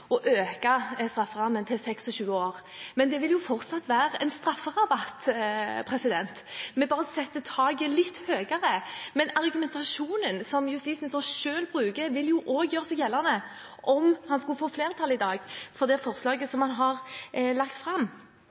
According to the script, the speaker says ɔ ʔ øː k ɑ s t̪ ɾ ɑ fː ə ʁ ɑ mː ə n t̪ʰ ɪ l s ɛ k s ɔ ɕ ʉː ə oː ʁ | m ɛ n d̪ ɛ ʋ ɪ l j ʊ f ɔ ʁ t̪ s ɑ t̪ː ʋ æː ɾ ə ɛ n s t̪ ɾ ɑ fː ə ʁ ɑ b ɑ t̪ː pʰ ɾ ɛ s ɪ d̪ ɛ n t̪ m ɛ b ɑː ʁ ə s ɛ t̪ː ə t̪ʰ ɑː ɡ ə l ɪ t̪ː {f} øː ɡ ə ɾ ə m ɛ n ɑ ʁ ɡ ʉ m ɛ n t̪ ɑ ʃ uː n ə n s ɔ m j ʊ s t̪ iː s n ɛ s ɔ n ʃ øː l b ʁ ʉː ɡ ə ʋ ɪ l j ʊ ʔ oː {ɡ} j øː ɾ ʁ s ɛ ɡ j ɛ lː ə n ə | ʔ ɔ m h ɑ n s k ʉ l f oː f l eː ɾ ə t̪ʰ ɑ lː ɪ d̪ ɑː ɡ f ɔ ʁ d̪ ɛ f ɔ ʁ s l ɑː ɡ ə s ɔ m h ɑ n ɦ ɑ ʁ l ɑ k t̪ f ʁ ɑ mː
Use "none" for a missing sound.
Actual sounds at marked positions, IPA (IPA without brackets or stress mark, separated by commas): h, ɡ